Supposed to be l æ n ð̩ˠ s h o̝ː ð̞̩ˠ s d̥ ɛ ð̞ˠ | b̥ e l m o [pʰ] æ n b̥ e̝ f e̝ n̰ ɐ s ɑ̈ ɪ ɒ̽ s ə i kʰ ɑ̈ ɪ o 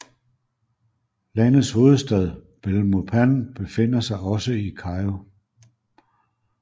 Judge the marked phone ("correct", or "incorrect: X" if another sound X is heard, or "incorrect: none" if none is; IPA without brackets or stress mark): correct